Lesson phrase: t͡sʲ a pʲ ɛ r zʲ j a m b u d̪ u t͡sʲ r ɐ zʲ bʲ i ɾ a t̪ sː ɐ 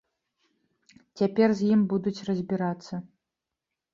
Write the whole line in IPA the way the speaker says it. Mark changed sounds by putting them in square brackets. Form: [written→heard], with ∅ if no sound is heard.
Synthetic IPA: t͡sʲ a pʲ ɛ r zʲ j [a→i] m b u d̪ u t͡sʲ r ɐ zʲ bʲ i ɾ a t̪ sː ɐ